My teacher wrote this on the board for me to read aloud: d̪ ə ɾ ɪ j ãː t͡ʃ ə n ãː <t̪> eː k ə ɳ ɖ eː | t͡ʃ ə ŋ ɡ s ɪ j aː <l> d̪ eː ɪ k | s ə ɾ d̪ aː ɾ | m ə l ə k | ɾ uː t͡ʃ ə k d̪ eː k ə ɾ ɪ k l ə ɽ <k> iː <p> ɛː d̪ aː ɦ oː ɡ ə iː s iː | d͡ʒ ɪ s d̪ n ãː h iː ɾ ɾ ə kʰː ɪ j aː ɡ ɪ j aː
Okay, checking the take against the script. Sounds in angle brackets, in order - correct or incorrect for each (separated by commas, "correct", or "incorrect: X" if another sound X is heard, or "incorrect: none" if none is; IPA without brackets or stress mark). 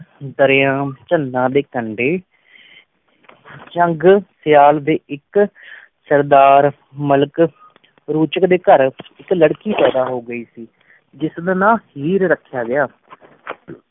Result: incorrect: d̪, correct, correct, correct